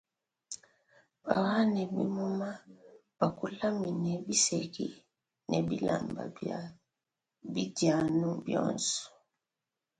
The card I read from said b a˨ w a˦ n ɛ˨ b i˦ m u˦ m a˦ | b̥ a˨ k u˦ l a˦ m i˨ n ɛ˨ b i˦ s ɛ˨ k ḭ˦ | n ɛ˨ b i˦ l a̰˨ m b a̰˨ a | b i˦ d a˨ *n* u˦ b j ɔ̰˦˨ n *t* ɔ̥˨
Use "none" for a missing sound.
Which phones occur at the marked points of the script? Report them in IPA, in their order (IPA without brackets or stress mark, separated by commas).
n, s